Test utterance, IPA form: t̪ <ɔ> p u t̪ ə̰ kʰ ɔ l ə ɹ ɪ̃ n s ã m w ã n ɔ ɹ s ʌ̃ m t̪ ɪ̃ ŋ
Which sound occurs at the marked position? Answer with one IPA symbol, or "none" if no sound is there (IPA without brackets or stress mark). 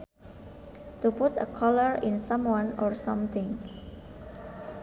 u